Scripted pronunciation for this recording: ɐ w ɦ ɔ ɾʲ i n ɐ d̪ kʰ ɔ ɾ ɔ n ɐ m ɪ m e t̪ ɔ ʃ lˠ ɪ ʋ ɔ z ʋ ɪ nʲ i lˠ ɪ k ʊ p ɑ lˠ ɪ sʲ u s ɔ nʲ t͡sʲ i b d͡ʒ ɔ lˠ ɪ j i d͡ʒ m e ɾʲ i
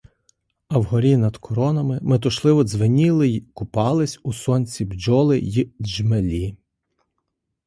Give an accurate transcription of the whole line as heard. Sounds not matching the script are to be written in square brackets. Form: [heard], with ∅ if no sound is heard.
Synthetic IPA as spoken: ɐ w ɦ ɔ ɾʲ i n ɐ d̪ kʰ ɔ ɾ ɔ n ɐ m ɪ m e t̪ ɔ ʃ lˠ ɪ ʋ ɔ z ʋ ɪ nʲ i lˠ ɪ k ʊ p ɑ lˠ ɪ sʲ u s ɔ nʲ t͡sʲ i b d͡ʒ ɔ lˠ ɪ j i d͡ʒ m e [lʲ] i